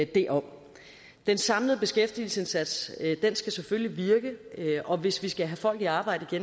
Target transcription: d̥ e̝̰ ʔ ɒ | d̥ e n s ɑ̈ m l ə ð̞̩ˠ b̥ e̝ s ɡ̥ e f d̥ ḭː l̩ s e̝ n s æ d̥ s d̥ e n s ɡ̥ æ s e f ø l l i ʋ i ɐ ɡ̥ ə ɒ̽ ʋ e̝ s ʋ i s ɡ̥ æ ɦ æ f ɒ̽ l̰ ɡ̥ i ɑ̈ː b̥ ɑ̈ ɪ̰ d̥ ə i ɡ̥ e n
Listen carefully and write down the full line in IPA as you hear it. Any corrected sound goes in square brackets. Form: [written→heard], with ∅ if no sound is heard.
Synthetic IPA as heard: d̥ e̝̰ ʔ ɒ | d̥ e n s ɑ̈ m l ə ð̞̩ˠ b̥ e̝ s ɡ̥ e f d̥ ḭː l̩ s e̝ n s æ d̥ s d̥ e n s ɡ̥ æ s e f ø l l i ʋ i ɐ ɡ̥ ə ɒ̽ ʋ e̝ s ʋ i s ɡ̥ æ ɦ æ f ɒ̽ l̰ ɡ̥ i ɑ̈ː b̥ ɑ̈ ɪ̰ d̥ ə i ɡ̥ e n